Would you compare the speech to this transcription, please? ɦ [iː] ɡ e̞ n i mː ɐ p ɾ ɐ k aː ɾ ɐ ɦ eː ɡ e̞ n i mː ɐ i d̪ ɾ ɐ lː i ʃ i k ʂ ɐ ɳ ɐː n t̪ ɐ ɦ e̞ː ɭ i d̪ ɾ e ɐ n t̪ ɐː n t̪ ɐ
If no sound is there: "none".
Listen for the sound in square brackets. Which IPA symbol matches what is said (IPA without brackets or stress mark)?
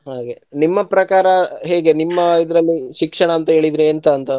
aː